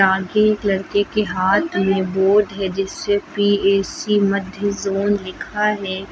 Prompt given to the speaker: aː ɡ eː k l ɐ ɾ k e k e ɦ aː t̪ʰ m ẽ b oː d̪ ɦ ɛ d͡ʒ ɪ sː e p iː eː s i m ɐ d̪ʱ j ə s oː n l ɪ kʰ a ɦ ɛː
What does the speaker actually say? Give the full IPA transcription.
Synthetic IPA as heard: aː ɡ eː k l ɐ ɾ k e k e ɦ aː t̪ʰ m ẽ b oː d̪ ɦ ɛ d͡ʒ ɪ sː e p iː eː s i m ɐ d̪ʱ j ə z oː n l ɪ kʰ a ɦ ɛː